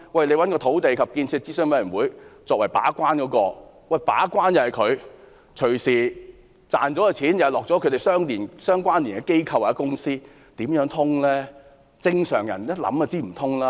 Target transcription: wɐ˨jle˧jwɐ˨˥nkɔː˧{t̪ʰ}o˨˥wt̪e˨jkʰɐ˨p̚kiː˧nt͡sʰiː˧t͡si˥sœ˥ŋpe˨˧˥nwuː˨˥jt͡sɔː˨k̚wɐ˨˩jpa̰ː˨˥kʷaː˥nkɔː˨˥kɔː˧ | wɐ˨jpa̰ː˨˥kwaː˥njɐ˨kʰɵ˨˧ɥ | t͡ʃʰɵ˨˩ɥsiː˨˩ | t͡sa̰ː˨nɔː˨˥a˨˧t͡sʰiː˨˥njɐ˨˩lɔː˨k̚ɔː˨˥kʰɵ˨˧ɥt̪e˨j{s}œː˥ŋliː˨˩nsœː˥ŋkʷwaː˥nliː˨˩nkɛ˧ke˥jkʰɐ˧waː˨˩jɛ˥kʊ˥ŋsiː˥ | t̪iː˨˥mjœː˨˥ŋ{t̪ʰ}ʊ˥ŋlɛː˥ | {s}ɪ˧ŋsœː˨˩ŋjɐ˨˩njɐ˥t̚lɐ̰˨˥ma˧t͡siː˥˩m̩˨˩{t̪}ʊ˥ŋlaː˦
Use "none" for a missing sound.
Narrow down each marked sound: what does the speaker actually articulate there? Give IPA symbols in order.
t̪ʰ, s, t̪ʰ, t͡s, t̪ʰ

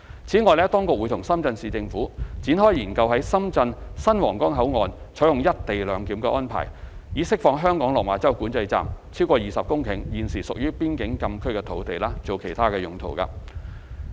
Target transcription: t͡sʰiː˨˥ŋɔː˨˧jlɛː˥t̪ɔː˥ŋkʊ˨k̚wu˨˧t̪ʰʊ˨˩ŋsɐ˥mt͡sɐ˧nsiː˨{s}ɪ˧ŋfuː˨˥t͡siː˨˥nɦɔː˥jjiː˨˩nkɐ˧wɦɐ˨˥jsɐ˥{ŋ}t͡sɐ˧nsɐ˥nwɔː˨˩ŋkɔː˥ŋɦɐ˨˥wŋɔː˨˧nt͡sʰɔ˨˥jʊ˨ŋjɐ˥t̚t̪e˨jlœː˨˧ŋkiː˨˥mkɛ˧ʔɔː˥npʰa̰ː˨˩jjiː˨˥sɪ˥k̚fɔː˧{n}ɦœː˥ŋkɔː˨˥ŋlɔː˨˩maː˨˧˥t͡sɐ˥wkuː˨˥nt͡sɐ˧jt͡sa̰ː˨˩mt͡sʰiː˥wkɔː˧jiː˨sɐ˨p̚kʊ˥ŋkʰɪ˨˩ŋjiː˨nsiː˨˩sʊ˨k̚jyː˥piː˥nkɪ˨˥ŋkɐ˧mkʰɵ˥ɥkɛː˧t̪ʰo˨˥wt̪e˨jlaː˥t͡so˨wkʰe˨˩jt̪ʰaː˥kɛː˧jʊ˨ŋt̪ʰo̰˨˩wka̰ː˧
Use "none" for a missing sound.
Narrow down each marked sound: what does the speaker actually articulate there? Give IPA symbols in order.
t͡s, m, ŋ

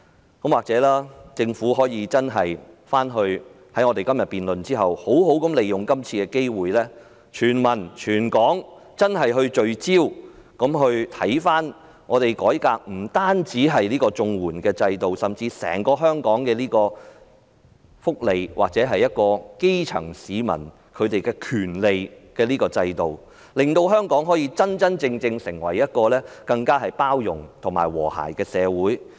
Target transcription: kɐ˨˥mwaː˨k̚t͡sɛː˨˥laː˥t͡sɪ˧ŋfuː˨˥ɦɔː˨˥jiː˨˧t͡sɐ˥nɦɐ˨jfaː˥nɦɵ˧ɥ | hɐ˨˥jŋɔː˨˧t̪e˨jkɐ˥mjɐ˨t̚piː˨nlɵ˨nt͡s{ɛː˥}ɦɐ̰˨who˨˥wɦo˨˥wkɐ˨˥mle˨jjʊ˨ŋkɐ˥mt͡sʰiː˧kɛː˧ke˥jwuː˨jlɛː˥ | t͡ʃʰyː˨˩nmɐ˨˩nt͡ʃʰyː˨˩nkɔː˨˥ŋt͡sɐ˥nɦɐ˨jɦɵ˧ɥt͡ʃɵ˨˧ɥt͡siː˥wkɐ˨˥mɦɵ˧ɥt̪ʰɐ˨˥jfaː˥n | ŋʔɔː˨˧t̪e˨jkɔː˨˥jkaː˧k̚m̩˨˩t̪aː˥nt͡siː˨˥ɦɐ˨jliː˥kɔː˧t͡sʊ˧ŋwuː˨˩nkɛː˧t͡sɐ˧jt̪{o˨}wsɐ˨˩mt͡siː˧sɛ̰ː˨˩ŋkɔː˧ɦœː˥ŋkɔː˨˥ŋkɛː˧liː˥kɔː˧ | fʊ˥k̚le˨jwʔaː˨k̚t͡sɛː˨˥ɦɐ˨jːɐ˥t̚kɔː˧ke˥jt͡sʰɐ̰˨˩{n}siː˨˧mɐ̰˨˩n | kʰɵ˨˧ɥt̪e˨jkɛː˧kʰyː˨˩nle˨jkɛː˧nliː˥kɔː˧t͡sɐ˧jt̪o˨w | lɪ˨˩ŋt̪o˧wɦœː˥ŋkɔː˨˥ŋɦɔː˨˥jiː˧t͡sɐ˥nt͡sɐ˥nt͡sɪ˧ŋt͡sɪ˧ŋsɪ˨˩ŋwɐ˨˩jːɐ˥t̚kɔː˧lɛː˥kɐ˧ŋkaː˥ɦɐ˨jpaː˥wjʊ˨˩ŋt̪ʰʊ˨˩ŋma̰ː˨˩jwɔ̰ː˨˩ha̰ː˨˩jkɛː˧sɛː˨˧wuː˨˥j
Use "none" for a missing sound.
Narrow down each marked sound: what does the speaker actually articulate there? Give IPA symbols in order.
iː˥, o˨, ŋ

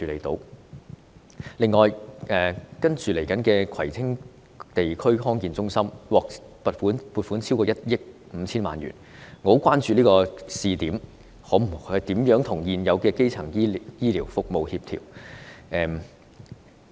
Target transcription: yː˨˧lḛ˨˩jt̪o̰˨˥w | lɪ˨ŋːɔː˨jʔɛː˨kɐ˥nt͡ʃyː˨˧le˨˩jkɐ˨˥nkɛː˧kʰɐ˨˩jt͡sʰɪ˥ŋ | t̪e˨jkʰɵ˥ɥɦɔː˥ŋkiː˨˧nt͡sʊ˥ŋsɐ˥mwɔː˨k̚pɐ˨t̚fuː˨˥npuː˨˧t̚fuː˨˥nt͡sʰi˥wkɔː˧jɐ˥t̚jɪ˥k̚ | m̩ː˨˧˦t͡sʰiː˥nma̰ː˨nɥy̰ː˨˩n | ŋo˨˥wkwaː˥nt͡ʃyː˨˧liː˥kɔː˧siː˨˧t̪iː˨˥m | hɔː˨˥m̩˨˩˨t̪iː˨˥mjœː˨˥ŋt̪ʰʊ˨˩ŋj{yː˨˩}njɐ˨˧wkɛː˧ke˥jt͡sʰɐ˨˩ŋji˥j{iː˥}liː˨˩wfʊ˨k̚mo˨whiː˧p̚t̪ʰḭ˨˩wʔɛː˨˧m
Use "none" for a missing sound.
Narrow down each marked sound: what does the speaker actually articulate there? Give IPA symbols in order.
iː˨˩, iː˥

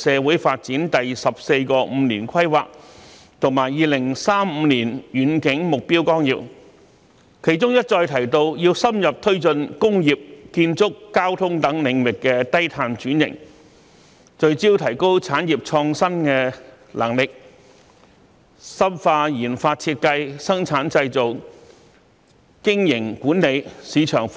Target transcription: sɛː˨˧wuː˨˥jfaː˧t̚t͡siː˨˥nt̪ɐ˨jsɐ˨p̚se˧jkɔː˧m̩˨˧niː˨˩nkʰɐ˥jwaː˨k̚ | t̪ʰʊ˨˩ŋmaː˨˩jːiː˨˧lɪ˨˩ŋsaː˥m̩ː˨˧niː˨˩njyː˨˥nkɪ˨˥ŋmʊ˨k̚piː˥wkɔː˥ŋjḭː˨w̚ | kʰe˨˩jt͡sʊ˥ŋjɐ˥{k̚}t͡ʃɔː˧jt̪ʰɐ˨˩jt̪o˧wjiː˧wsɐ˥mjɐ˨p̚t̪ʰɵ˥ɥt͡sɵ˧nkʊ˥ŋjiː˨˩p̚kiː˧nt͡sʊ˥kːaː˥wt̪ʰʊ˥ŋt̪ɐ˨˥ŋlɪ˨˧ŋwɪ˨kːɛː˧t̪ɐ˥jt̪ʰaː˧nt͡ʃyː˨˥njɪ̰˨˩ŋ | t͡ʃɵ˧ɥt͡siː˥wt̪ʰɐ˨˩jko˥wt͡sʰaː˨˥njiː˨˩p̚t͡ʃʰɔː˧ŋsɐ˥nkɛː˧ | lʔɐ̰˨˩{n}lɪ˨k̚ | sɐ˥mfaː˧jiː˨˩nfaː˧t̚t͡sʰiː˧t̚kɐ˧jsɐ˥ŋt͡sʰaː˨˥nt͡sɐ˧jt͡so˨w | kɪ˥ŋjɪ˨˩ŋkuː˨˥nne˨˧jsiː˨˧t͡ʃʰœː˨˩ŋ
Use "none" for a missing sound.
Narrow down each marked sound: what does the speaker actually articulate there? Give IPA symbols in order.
t̚, ŋ

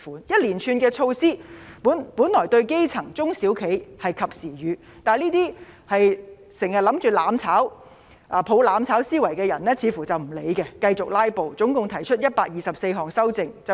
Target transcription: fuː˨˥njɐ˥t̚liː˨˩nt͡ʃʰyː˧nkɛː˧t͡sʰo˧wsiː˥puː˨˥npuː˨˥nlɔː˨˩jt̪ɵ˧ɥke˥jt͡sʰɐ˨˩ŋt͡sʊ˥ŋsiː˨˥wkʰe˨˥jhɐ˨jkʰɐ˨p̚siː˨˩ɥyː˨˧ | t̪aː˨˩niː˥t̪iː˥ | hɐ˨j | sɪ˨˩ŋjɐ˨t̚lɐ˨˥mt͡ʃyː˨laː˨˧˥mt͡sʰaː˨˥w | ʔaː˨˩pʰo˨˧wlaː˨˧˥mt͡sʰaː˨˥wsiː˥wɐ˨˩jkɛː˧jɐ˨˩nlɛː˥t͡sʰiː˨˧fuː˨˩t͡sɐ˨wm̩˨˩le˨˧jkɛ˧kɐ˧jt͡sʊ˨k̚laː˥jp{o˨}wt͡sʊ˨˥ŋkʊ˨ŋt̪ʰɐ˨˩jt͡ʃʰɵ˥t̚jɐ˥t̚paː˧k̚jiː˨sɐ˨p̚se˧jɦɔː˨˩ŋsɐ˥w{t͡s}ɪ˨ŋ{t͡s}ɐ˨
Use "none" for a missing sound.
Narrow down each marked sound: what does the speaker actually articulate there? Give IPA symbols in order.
o˨, t͡s, t͡s

